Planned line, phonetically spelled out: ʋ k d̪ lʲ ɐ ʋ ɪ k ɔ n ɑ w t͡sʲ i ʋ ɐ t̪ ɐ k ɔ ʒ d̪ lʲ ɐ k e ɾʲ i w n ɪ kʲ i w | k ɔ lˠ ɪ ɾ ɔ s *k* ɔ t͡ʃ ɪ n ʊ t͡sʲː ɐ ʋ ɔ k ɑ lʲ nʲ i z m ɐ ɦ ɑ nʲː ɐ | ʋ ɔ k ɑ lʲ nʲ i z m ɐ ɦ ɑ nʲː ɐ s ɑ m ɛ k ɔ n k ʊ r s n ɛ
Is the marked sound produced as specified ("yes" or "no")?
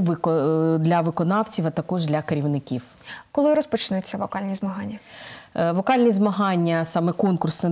no